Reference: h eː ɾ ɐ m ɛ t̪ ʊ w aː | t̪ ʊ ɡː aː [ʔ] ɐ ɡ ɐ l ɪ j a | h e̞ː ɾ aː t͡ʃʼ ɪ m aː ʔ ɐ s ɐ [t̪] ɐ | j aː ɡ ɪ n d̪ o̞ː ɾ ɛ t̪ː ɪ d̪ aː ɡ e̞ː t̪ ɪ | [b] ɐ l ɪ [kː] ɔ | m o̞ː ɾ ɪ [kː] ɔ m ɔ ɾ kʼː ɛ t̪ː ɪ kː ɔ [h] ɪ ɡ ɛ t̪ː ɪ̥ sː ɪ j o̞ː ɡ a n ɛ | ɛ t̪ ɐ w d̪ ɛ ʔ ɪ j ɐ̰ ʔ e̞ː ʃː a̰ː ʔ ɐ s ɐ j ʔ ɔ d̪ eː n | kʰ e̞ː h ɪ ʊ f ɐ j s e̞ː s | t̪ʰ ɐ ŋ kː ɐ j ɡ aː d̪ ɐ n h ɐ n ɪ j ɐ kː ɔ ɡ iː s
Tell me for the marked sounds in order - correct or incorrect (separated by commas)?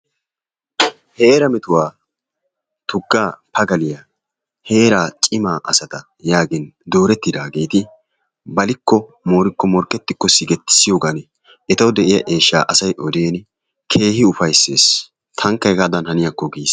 incorrect, correct, correct, correct, correct, incorrect